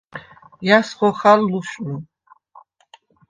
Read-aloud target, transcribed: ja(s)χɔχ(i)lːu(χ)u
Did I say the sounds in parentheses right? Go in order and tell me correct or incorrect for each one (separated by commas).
correct, incorrect, incorrect